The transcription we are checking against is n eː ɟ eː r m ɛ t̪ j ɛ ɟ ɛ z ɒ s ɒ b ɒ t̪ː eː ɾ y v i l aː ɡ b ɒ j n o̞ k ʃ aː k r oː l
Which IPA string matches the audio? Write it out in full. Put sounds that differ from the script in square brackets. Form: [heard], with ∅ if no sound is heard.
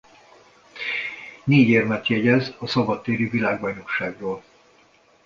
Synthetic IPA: n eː ɟ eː r m ɛ t̪ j ɛ ɟ ɛ z ɒ s ɒ b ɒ t̪ː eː ɾ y v i l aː ɡ b ɒ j n o̞ k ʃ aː [ɡ] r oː l